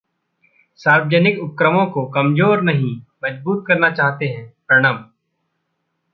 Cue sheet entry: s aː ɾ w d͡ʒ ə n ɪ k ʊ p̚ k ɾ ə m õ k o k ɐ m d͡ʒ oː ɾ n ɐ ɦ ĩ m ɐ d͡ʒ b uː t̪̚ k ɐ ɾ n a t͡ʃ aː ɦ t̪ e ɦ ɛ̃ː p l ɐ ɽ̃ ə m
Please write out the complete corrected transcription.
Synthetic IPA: s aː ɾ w d͡ʒ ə n ɪ k ʊ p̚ k ɾ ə m õ k o k ɐ m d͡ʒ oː ɾ n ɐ ɦ ĩ m ɐ d͡ʒ b uː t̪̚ k ɐ ɾ n a t͡ʃ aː ɦ t̪ e ɦ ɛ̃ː p ɾ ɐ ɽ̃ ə m